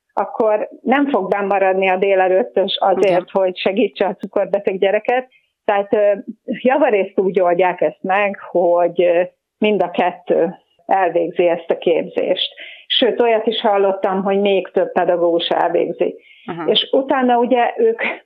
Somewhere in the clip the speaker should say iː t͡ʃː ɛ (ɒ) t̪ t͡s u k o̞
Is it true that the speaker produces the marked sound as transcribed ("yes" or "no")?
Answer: yes